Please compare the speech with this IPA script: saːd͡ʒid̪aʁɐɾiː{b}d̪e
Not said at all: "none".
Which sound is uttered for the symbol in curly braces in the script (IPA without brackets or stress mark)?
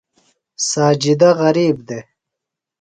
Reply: b